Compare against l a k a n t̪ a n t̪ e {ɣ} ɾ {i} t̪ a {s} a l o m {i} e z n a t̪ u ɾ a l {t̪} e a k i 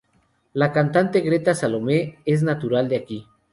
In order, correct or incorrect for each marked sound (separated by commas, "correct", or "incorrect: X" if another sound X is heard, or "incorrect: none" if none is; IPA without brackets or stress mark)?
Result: correct, incorrect: e, correct, incorrect: e, incorrect: d̪